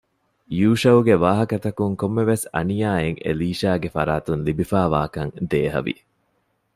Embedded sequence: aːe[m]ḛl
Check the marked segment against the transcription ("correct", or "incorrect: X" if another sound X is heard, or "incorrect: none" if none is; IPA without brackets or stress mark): incorrect: ŋ